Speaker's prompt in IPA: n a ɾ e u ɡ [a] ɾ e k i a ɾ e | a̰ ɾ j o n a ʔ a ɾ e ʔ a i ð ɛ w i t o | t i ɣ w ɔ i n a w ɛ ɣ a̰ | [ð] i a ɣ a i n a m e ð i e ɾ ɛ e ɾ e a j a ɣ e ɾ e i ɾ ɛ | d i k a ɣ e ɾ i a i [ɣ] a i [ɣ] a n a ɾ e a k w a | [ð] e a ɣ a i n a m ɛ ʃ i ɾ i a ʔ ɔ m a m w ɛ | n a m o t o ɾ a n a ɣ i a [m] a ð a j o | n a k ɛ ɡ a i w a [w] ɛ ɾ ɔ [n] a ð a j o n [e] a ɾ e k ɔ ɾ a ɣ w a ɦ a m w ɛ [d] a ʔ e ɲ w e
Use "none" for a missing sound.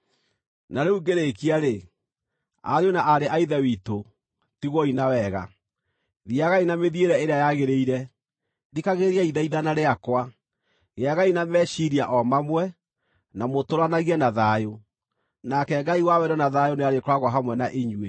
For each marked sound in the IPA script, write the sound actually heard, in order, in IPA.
e, ð, ð, ð, ɣ, n, w, n, e, n

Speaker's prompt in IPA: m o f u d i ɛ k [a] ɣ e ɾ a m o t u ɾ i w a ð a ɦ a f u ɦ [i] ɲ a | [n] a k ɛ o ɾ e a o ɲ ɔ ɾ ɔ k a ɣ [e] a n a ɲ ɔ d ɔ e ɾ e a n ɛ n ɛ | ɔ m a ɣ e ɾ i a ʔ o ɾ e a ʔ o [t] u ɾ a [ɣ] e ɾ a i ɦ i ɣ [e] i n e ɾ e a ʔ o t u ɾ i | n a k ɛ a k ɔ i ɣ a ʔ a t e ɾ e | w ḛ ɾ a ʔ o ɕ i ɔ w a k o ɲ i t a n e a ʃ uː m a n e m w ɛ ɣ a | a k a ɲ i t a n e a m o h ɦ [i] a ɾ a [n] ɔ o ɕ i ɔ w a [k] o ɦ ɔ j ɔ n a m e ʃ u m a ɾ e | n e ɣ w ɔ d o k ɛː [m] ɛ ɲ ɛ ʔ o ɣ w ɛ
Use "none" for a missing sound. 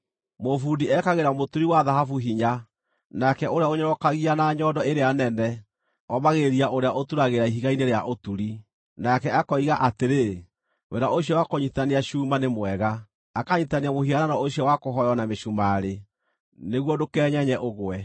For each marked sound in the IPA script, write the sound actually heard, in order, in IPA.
a, i, n, i, t, ɣ, a, i, n, k, ɲ

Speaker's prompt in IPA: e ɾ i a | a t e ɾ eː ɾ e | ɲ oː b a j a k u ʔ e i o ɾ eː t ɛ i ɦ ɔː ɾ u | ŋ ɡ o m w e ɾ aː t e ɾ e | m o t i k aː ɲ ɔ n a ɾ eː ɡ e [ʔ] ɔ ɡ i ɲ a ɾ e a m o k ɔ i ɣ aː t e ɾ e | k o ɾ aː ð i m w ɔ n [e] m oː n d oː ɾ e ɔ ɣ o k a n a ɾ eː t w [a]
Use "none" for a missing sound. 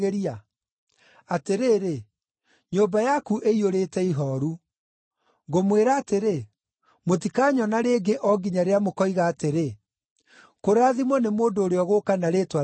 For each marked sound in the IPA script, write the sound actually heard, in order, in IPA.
ʔ, e, a

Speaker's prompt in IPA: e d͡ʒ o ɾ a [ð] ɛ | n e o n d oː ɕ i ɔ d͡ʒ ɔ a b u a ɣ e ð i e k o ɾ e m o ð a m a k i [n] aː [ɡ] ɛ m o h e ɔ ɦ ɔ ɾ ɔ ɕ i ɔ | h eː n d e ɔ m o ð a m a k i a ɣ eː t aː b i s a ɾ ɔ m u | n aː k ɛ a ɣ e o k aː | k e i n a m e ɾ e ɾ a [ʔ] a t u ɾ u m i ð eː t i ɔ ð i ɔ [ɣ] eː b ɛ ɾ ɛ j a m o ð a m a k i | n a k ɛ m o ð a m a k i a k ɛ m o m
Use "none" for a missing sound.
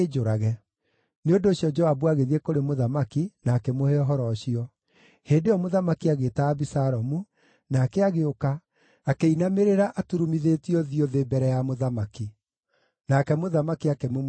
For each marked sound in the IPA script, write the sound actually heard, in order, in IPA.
ɣ, n, k, ʔ, ð

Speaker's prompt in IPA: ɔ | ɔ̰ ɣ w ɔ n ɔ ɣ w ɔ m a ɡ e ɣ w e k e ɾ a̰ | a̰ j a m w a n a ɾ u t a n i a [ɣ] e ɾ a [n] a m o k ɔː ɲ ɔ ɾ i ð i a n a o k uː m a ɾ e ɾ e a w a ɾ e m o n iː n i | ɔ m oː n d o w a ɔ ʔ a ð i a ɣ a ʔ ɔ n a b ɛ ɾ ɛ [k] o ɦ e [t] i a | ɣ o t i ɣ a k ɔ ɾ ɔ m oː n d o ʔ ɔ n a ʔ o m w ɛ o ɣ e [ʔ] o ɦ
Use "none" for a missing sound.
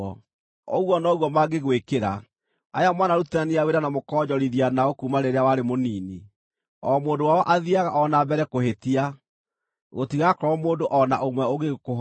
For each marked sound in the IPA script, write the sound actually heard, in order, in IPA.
w, n, k, t, k

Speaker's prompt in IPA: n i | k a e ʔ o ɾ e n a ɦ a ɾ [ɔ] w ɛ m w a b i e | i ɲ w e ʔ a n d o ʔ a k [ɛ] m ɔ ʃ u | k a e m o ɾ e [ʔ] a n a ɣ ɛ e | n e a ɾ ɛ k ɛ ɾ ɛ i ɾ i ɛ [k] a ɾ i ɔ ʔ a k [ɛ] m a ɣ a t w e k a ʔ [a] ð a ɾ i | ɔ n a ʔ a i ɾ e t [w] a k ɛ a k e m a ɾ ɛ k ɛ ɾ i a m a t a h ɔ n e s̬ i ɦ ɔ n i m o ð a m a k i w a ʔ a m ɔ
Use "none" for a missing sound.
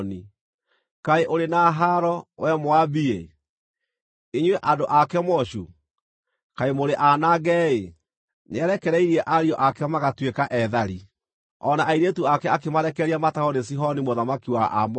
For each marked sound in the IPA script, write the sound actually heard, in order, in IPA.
ɔ, ɛ, ʔ, ʔ, ɛ, ɛ, u

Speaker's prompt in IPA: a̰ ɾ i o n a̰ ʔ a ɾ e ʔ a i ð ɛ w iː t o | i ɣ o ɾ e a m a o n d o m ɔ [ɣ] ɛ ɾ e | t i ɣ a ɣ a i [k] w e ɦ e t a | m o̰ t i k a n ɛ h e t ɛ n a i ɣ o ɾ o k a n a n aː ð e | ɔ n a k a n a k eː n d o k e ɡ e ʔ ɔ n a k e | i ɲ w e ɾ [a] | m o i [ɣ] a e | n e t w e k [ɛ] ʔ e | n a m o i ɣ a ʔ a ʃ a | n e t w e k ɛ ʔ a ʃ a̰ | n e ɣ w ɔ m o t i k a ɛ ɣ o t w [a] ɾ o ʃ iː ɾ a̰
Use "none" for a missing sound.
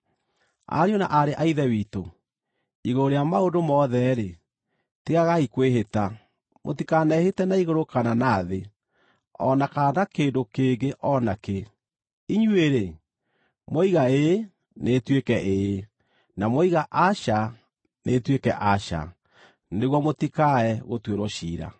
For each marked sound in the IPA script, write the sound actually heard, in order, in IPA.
ð, k, e, ɣ, ɛ, e

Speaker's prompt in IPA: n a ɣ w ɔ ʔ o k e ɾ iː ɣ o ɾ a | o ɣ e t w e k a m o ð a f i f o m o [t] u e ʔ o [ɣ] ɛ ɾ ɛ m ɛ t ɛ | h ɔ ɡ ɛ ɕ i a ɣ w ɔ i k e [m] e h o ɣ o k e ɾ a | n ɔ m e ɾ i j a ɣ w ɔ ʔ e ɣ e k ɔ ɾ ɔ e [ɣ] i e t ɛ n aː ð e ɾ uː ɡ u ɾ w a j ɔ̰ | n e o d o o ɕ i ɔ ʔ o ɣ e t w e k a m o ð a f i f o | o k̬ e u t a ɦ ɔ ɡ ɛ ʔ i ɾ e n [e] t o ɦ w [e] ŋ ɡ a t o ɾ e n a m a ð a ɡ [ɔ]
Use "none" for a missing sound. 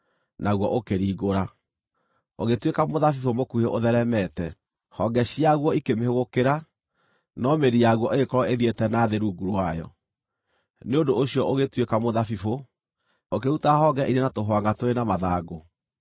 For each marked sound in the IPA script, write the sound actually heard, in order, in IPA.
k, ð, m, ð, a, a, o

